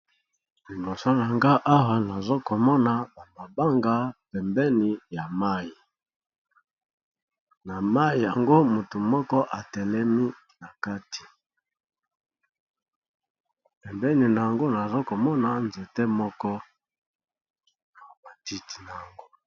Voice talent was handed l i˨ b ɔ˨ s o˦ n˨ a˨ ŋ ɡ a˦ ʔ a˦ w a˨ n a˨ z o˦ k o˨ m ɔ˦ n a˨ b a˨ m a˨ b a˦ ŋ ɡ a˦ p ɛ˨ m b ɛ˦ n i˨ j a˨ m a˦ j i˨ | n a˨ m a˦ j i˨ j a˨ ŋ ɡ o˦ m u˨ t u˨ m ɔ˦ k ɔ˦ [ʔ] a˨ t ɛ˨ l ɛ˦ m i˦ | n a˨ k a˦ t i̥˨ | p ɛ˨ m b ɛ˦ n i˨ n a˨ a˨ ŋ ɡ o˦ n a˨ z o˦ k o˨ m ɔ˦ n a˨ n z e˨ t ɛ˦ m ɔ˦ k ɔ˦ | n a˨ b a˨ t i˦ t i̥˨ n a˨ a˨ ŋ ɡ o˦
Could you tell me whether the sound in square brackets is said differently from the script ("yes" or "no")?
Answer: no